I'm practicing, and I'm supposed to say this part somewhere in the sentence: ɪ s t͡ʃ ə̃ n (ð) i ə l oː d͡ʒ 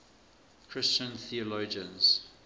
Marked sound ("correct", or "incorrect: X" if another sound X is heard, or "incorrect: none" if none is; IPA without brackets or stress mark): incorrect: θ